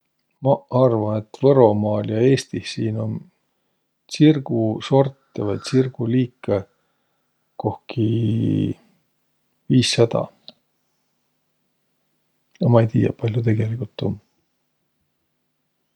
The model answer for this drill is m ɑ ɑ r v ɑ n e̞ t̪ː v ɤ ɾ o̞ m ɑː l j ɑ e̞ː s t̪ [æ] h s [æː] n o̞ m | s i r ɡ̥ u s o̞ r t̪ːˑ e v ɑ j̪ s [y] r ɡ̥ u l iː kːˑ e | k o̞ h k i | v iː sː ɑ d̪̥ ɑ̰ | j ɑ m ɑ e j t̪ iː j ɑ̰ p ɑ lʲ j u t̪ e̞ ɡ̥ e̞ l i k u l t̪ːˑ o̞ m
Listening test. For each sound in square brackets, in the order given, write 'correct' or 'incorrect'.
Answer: incorrect: i, incorrect: iː, incorrect: i

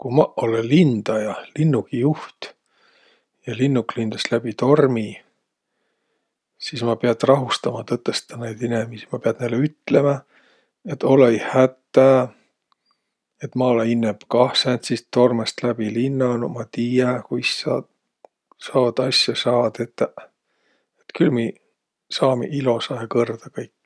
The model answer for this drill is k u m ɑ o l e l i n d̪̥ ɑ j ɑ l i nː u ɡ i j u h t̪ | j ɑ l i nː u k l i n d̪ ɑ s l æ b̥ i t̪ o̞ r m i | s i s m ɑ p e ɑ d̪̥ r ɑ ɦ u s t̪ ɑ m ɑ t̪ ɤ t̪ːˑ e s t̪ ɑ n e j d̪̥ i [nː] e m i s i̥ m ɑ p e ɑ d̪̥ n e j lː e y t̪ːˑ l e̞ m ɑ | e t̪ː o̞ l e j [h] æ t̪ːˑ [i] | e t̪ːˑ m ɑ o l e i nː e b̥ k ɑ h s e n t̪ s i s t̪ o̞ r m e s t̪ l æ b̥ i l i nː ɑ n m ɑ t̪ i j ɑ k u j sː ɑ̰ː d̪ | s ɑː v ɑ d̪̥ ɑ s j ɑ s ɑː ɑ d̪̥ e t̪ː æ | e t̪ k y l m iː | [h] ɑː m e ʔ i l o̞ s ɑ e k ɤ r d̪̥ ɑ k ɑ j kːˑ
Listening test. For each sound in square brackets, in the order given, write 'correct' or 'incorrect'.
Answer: incorrect: n, correct, incorrect: æ, incorrect: s

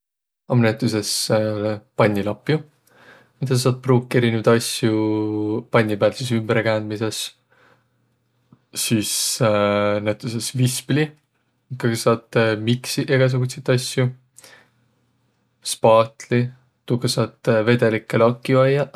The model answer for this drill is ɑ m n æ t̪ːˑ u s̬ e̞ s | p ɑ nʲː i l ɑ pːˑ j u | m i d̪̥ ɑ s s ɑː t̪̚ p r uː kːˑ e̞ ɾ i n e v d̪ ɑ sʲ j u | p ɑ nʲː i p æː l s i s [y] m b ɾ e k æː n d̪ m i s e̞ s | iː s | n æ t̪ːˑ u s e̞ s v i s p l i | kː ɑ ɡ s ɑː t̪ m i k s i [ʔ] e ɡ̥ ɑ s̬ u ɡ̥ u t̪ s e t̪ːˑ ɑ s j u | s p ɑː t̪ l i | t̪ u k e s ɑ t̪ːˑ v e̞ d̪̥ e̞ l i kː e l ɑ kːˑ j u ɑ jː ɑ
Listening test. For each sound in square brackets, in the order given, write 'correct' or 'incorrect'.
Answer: correct, correct

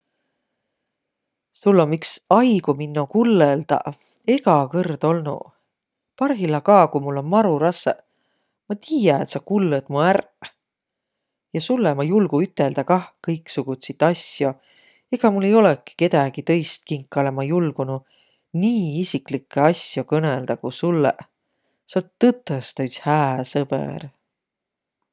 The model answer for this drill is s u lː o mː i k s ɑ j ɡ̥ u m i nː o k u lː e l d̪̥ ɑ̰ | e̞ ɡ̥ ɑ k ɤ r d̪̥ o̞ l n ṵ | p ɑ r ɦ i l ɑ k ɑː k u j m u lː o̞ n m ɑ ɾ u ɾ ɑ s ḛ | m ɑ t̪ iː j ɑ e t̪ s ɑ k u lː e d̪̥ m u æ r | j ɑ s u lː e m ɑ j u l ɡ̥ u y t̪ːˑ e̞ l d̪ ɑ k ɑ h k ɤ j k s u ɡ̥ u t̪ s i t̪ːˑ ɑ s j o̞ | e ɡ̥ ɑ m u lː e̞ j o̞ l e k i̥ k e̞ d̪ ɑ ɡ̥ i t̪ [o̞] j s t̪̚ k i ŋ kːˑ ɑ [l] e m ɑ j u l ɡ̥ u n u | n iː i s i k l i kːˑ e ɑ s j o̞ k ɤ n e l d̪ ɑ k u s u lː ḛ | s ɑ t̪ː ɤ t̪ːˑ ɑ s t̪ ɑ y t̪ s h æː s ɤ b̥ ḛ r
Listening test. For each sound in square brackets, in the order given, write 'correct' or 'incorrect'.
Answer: incorrect: ɤ̞, correct

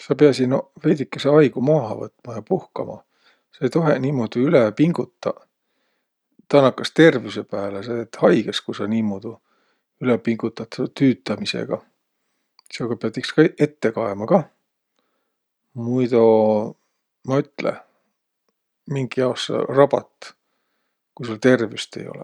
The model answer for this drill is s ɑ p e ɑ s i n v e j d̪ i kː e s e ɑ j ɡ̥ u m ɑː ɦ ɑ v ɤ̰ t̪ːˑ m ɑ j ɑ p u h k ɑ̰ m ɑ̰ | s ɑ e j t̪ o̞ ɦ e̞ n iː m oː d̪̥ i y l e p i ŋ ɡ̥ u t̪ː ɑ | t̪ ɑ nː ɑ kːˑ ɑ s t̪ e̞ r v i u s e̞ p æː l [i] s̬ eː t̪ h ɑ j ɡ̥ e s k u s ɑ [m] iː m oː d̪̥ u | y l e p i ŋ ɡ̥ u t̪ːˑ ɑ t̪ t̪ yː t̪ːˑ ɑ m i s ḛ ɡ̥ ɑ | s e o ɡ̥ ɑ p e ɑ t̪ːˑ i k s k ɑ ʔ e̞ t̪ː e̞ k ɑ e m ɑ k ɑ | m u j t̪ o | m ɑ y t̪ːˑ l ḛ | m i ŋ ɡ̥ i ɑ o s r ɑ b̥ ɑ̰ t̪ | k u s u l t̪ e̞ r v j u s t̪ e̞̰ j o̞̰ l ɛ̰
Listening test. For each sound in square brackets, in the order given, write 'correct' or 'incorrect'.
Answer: incorrect: e, incorrect: n

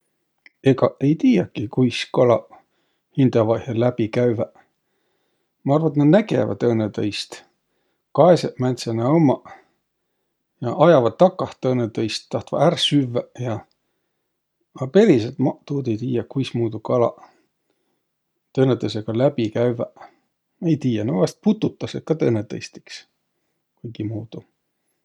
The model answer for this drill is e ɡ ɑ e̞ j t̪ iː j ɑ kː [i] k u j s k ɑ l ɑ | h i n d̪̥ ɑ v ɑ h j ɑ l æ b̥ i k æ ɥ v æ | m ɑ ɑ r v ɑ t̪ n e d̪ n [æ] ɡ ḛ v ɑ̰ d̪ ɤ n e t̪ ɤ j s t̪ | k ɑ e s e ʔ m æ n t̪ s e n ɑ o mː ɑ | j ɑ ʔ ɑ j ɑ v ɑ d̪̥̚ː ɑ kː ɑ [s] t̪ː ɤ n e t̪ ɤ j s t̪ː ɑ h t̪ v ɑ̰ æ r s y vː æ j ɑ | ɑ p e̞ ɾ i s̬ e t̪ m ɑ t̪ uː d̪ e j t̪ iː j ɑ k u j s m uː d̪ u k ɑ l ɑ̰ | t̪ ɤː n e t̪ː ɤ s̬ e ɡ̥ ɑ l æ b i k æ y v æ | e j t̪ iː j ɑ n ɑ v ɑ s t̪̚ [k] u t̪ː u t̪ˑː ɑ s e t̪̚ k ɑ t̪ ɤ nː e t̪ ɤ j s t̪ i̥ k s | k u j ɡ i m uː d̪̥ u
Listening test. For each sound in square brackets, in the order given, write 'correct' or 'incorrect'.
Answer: correct, correct, incorrect: h, incorrect: p

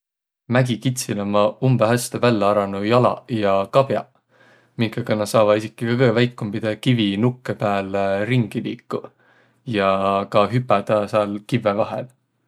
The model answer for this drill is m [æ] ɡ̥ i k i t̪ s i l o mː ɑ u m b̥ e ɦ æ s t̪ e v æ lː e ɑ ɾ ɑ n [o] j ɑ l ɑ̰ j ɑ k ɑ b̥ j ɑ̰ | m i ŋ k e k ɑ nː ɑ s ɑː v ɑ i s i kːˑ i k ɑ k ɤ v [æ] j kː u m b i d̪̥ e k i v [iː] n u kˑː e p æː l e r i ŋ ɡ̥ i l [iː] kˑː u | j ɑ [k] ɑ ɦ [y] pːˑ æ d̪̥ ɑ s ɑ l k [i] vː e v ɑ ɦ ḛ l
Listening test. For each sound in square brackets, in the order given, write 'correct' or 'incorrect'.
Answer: correct, incorrect: u, correct, incorrect: i, correct, correct, correct, correct

